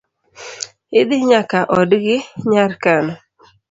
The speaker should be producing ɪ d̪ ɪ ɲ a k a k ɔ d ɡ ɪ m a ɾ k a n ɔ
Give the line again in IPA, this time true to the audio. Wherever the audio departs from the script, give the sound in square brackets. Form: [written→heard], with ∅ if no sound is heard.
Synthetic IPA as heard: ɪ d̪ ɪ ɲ a k a [k→ʔ] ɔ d ɡ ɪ [m→ɲ] a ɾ k a n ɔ